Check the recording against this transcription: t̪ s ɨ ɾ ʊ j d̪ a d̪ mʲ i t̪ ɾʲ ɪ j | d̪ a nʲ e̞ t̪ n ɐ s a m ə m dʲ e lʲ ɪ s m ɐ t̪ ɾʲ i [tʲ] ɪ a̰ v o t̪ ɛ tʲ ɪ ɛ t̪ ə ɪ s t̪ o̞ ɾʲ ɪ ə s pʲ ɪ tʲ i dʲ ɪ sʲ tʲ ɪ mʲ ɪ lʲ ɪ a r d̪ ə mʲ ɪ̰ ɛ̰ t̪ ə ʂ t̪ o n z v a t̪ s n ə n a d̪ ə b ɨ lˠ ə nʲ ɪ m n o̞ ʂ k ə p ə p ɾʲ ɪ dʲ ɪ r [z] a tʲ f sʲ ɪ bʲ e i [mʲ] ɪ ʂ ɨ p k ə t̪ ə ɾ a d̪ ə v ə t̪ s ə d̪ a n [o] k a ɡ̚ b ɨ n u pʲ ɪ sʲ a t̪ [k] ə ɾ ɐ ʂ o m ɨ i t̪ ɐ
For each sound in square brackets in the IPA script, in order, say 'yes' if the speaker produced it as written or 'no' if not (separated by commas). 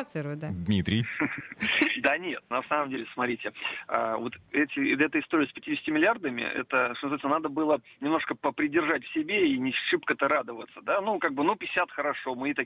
yes, no, no, no, no